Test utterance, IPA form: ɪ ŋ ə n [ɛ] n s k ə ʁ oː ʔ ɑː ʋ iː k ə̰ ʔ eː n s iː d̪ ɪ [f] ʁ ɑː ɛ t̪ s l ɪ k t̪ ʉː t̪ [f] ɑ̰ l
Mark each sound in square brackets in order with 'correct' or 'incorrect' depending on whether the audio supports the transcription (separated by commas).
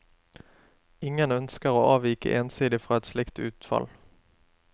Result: incorrect, correct, correct